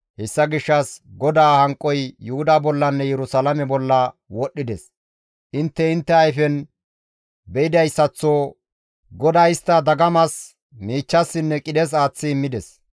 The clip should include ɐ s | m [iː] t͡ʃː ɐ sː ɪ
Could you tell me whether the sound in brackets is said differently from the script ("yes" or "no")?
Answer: no